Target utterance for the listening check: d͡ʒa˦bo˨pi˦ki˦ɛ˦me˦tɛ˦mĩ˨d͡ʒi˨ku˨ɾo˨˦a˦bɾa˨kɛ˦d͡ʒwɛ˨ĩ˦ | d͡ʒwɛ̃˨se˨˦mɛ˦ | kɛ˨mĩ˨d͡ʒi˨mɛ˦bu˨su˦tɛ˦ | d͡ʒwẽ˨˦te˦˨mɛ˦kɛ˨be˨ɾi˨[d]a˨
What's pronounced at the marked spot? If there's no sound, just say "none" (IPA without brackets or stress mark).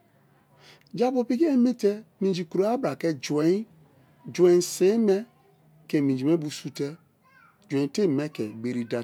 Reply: d